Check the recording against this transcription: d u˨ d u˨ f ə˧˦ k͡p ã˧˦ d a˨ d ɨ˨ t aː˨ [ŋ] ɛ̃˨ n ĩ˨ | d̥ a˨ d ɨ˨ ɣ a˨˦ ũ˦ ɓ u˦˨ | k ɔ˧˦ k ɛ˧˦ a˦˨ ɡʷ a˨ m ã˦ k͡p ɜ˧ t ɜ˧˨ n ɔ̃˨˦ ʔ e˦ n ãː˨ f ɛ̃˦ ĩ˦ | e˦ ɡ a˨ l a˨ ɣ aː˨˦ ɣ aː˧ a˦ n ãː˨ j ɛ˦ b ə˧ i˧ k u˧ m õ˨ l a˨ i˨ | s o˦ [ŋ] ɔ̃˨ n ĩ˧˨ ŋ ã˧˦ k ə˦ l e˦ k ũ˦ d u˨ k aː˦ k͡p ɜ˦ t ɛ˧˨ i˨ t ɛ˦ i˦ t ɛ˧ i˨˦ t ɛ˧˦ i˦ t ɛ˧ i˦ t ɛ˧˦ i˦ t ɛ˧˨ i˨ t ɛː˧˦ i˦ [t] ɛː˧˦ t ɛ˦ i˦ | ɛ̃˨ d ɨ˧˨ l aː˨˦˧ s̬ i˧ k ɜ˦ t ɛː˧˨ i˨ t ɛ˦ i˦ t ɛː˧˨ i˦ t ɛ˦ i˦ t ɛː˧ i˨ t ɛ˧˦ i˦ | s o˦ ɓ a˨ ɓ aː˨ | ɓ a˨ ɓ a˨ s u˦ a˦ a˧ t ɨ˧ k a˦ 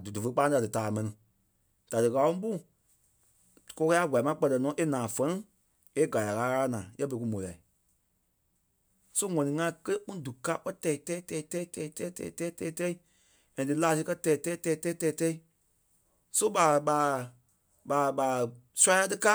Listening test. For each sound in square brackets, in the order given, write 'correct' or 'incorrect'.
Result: incorrect: m, correct, correct

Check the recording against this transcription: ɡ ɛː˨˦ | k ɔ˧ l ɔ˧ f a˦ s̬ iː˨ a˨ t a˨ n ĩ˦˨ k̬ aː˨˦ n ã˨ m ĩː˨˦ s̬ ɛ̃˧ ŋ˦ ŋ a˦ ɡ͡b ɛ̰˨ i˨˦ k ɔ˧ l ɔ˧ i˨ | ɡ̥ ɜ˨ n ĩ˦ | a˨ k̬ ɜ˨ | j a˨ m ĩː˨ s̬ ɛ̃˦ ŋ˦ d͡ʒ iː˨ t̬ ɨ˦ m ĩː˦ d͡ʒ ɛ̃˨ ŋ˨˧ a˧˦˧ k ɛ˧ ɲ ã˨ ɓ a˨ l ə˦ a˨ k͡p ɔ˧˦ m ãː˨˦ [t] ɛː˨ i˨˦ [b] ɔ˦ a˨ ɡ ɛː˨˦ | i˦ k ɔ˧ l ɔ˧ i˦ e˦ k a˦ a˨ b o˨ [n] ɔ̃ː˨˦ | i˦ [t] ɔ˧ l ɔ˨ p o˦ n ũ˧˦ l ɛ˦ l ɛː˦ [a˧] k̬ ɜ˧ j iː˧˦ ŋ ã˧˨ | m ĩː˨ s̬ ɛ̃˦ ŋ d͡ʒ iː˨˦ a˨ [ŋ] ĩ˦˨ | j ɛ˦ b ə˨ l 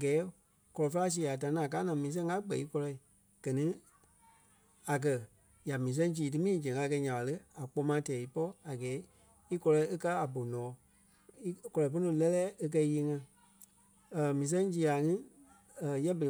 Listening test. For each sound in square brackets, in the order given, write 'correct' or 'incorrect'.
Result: correct, incorrect: p, correct, incorrect: k, incorrect: e˧, correct

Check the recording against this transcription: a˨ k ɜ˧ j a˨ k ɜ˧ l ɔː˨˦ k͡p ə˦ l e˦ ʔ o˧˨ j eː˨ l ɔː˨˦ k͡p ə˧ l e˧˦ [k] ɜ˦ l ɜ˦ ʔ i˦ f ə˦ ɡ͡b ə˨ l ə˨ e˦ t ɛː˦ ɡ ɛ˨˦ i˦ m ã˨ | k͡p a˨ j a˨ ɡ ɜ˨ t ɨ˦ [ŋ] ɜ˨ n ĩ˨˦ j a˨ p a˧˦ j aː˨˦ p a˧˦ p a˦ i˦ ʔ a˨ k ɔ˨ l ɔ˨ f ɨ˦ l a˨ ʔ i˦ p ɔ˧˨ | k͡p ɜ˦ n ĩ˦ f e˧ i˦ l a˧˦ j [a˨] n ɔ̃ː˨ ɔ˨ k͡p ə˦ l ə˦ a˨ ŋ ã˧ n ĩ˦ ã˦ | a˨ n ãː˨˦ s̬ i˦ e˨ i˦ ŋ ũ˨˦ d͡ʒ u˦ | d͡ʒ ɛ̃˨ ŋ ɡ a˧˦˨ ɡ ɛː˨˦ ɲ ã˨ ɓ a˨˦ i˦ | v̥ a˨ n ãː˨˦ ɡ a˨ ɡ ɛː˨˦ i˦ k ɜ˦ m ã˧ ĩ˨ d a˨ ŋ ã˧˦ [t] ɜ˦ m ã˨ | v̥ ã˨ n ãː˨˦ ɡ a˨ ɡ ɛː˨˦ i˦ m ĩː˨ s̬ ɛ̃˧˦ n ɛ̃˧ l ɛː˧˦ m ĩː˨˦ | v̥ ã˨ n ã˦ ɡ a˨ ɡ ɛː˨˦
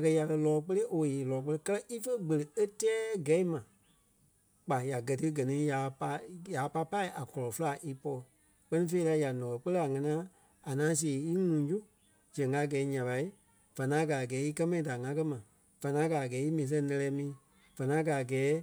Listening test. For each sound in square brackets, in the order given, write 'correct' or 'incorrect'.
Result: correct, incorrect: ɡ, correct, incorrect: k

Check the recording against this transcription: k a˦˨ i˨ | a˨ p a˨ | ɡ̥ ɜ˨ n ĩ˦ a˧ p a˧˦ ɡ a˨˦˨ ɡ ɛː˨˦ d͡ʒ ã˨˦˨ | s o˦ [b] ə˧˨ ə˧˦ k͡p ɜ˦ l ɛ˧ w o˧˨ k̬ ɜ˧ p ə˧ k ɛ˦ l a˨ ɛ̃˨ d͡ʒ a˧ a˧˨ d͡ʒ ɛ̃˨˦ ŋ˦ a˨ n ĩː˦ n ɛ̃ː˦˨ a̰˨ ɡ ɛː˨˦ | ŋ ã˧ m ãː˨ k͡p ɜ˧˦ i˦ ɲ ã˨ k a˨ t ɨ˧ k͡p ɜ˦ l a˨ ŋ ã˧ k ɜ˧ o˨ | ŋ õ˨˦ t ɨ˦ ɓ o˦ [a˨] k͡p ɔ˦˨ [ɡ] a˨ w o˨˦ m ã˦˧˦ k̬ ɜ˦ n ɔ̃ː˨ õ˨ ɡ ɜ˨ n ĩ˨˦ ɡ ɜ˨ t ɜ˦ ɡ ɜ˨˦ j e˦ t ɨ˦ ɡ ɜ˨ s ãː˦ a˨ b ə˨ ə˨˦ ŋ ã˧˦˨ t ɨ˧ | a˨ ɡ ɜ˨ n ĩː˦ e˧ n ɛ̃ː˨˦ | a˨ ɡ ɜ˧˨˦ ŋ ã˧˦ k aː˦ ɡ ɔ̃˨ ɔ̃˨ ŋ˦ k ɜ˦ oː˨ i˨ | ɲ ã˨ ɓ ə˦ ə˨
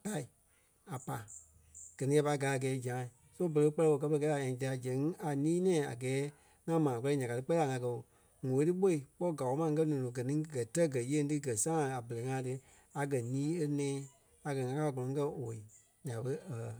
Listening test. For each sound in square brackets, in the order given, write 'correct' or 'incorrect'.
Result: correct, incorrect: i˨, correct

